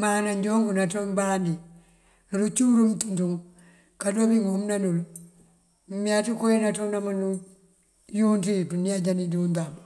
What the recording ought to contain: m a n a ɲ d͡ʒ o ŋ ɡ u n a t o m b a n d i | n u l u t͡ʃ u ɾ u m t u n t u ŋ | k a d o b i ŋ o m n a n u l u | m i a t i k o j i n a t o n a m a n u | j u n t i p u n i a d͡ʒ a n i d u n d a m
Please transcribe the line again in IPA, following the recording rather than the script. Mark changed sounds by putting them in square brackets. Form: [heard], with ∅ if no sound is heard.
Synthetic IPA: m a n a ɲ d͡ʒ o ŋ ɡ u n a t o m b a n d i | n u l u t͡ʃ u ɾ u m t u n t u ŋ | k a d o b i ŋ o m n a n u l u | m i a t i k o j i n a t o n a m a n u | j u n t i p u n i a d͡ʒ a n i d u n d a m